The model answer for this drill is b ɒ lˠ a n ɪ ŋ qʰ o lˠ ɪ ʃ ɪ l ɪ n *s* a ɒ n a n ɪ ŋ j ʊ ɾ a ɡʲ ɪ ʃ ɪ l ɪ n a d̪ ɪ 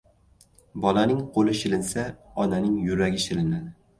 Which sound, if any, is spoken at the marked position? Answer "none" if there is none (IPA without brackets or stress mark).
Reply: s